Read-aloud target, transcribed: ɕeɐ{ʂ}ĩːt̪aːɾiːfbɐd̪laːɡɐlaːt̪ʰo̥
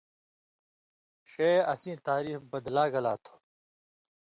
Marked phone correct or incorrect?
incorrect